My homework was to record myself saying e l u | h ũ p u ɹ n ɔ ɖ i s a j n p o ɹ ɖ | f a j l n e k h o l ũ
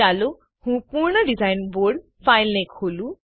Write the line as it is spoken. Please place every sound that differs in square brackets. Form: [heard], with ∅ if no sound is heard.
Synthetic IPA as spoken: [a] l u | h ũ p u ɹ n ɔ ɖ i [z] a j n [b] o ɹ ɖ | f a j l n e k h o l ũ